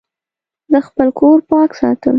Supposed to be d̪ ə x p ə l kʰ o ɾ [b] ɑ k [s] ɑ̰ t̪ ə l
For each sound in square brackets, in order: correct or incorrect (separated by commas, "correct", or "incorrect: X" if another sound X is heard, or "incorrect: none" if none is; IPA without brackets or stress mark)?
incorrect: p, correct